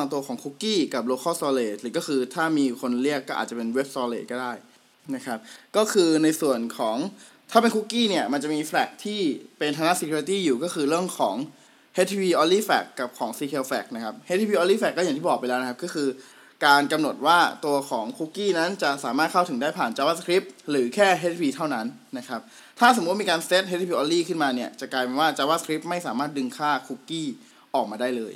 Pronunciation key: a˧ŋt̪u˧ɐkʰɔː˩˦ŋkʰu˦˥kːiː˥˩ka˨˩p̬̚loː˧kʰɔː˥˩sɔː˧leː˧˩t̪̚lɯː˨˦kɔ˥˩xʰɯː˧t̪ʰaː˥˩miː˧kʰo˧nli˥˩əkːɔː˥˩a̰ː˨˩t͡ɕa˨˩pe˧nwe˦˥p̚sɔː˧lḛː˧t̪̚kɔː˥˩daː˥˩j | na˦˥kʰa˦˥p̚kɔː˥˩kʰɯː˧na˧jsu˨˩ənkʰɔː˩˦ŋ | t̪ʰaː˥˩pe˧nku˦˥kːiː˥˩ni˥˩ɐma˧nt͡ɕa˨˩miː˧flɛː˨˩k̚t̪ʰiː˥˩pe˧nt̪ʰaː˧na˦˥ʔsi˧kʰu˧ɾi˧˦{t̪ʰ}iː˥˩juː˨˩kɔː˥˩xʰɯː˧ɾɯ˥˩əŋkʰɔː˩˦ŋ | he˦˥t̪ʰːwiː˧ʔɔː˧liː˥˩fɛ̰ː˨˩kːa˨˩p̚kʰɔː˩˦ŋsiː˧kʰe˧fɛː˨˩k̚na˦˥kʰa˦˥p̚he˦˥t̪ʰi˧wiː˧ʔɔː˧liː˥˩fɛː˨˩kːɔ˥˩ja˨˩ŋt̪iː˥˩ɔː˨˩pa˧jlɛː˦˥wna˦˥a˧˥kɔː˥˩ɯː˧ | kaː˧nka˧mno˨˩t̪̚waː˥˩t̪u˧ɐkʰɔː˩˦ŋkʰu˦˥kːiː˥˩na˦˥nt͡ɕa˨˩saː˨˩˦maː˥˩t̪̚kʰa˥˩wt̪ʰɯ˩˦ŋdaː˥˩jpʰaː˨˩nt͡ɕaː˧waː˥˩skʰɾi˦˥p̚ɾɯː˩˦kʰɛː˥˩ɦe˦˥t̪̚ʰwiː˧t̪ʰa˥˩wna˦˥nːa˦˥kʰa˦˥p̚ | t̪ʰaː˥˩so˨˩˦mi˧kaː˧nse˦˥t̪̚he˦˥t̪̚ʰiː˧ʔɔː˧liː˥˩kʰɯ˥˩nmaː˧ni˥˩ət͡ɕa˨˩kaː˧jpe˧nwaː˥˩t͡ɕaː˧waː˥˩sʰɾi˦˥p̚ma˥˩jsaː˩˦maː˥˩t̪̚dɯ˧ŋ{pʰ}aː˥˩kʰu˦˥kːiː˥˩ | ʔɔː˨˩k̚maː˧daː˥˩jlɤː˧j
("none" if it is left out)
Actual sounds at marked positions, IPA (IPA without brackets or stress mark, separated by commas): t̪, kʰ